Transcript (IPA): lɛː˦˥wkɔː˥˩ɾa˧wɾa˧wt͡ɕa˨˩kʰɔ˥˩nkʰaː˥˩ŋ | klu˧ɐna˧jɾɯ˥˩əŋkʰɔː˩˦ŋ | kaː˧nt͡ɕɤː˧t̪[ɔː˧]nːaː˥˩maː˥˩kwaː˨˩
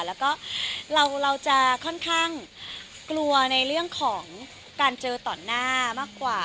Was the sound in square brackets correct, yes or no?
no